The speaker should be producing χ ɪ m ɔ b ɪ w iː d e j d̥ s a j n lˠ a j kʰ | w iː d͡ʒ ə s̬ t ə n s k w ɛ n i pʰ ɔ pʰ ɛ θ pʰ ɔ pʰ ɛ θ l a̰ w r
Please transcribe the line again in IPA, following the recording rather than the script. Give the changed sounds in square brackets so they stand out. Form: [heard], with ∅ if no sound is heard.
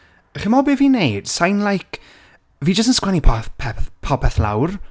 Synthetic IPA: χ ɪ m ɔ b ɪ [v] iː [n] e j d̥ s a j n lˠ a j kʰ | [v] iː d͡ʒ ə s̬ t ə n s k w ɛ n i pʰ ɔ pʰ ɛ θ pʰ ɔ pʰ ɛ θ l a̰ w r